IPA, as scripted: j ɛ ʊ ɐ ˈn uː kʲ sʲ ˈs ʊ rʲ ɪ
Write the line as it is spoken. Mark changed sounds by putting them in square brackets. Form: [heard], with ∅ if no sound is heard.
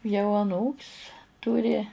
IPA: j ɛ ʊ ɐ ˈn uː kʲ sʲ [ˈt] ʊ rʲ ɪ

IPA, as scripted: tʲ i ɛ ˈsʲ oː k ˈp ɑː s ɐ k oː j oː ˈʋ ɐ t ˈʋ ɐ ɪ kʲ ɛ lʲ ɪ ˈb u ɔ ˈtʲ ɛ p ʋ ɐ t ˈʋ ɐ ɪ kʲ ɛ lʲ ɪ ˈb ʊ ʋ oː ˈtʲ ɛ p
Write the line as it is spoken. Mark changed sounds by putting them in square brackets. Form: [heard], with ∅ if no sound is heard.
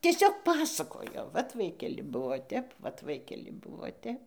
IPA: tʲ i ɛ ˈsʲ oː k ˈp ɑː s ɐ k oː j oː ˈʋ ɐ t ˈʋ ɐ ɪ kʲ ɛ lʲ ɪ ˈb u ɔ ˈtʲ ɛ p ʋ ɐ t ˈʋ ɐ ɪ kʲ ɛ lʲ ɪ ˈb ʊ ʋ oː ˈtʲ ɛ p

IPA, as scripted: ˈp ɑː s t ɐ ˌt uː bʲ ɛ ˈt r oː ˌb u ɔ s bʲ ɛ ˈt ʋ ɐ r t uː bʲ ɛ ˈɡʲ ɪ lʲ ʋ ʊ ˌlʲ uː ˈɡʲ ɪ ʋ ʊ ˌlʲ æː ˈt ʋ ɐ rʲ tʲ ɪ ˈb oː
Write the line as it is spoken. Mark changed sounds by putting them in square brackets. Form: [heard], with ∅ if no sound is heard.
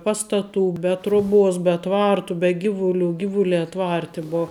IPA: ˈp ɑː s t ɐ ˌt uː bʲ ɛ ˈt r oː ˌb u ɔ s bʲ ɛ ˈt ʋ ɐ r t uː bʲ ɛ ˈɡʲ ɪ [∅] ʋ ʊ ˌlʲ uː ˈɡʲ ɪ ʋ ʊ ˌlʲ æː ˈt ʋ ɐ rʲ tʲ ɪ ˈb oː

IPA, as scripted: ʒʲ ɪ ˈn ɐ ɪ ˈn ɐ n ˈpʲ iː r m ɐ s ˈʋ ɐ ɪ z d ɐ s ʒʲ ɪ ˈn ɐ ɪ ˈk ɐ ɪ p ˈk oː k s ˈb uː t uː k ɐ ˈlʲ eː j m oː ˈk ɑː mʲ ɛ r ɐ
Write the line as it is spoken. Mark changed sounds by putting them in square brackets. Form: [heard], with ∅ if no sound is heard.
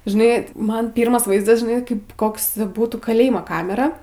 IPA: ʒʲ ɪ ˈn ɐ ɪ [ˈm] ɐ n ˈpʲ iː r m ɐ s ˈʋ ɐ ɪ z d ɐ s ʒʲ ɪ ˈn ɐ ɪ ˈk ɐ ɪ p ˈk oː k s ˈb uː t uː k ɐ ˈlʲ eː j m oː ˈk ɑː mʲ ɛ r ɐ

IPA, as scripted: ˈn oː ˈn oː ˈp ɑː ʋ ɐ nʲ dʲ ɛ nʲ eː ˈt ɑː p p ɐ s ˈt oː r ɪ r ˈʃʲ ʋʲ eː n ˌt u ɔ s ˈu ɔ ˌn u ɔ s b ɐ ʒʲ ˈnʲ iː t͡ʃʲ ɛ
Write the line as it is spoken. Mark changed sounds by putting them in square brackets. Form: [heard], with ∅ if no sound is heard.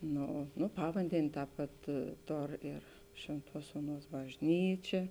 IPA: ˈn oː ˈn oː ˈp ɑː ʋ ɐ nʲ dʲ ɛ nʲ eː ˈt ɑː p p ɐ [t] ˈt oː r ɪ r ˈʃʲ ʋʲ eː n ˌt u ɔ s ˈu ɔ ˌn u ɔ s b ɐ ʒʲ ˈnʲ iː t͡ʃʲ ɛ

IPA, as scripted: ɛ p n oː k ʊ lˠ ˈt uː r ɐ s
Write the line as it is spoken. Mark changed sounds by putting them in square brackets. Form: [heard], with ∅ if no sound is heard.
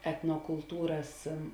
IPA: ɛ [t] n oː k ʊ lˠ ˈt uː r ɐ s

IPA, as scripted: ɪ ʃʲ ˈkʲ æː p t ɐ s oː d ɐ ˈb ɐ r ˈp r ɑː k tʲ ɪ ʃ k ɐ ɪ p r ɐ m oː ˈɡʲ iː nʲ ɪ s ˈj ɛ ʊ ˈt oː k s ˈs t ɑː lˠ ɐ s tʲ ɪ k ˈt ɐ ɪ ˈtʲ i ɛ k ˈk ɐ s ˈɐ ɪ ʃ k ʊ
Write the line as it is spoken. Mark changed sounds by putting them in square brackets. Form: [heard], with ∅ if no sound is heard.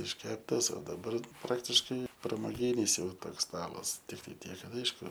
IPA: ɪ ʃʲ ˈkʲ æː p t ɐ s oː d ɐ ˈb ɐ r ˈp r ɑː k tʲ ɪ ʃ k ɐ ɪ p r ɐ m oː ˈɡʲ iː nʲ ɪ s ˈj ɛ ʊ ˈt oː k s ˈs t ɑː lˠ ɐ s tʲ ɪ k ˈt ɐ ɪ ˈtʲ i ɛ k ˈk ɐ [t] ˈɐ ɪ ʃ k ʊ

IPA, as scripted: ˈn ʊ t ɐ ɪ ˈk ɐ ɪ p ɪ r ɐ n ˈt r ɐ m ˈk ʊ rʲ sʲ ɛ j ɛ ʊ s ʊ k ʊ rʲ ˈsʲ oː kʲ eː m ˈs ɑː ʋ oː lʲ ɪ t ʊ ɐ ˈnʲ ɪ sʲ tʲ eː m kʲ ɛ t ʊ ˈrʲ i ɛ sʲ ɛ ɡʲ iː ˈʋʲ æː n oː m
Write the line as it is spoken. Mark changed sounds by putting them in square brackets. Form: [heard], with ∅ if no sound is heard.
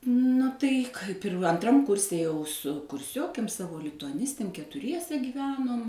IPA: ˈn ʊ t ɐ ɪ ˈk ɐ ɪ p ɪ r ɐ n ˈt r ɐ m ˈk ʊ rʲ sʲ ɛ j ɛ ʊ s ʊ k ʊ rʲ ˈsʲ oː kʲ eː m ˈs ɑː ʋ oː lʲ ɪ t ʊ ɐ ˈnʲ ɪ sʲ tʲ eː m kʲ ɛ t ʊ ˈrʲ i ɛ sʲ ɛ ɡʲ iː ˈʋʲ æː n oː m

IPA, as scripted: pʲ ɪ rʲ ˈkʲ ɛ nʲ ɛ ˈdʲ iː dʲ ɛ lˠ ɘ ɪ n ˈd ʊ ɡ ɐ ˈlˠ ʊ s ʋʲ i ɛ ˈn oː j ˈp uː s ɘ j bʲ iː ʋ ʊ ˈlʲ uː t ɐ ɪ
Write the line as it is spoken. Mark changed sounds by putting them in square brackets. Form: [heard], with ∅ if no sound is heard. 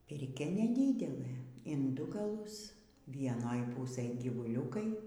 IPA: pʲ ɪ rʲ ˈkʲ ɛ nʲ ɛ ˈdʲ iː dʲ ɛ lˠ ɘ ɪ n ˈd ʊ ɡ ɐ ˈlˠ ʊ s ʋʲ i ɛ ˈn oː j ˈp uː s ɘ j [ɡʲ] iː ʋ ʊ ˈlʲ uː [k] ɐ ɪ

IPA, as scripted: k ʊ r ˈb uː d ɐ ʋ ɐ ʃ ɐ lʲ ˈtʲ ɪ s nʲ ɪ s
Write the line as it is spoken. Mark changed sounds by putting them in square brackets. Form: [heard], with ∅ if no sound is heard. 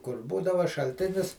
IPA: k ʊ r ˈb uː d ɐ ʋ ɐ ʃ ɐ lʲ ˈtʲ ɪ [∅] nʲ ɪ s

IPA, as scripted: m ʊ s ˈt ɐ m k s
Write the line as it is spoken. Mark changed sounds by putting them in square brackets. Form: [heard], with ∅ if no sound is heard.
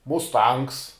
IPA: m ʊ s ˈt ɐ [ŋ] k s

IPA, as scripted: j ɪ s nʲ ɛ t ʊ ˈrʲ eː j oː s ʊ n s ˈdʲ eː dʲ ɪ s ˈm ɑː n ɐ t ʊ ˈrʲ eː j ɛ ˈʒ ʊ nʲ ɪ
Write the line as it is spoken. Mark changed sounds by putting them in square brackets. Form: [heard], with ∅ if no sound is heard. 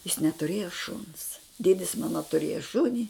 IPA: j ɪ s nʲ ɛ t ʊ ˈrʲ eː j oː [ʃ] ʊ n s ˈdʲ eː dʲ ɪ s ˈm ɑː n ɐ t ʊ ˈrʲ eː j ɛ [ˈʃ] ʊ nʲ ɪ

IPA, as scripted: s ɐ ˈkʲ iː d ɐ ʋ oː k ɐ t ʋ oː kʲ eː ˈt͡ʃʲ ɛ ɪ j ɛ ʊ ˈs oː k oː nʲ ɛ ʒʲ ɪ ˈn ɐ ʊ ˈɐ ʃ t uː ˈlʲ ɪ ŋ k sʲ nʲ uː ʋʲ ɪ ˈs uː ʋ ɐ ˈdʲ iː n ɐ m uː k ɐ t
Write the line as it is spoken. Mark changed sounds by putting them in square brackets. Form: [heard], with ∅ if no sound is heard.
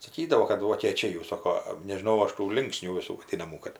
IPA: s ɐ ˈkʲ iː d ɐ ʋ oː k ɐ t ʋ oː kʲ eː ˈt͡ʃʲ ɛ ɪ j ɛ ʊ ˈs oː k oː nʲ ɛ ʒʲ ɪ ˈn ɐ ʊ ˈɐ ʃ t uː ˈlʲ ɪ ŋ k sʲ nʲ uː ʋʲ ɪ ˈs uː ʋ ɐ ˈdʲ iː n ɐ m uː k ɐ t

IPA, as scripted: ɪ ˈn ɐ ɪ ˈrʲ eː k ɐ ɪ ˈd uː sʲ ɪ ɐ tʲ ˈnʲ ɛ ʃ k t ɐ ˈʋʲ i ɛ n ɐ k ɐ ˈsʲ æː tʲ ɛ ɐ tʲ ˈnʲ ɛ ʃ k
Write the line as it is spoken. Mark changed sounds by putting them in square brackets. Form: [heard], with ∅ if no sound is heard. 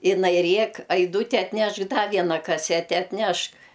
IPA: ɪ ˈn ɐ ɪ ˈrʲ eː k ɐ ɪ ˈd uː [tʲ] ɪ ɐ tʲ ˈnʲ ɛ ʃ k [d] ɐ ˈʋʲ i ɛ n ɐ k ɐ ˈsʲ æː tʲ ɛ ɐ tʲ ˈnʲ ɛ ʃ k

